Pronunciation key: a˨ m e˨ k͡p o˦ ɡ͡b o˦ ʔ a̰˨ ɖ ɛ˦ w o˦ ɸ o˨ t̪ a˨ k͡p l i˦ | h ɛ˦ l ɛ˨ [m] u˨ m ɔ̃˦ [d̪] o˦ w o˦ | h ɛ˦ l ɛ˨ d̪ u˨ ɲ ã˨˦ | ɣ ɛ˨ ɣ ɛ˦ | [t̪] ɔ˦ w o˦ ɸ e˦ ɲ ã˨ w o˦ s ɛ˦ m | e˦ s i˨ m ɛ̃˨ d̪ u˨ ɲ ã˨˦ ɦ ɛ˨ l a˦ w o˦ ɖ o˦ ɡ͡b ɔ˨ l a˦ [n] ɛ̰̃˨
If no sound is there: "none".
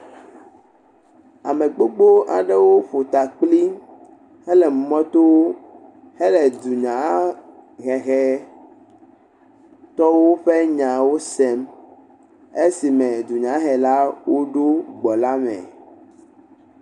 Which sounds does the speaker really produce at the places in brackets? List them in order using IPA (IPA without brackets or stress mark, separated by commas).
m, t̪, t̪, m